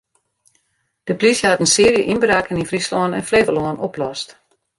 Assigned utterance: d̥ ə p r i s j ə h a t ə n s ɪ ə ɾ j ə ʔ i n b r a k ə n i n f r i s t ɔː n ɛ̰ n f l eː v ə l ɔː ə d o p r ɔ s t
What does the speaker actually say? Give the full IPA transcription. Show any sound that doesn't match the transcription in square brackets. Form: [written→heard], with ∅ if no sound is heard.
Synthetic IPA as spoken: d̥ ə p [r→l] i s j ə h a t ə n s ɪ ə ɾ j ə ʔ i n b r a k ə n i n f r i s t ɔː n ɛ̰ n f l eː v ə l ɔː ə [d→n] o p [r→l] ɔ s t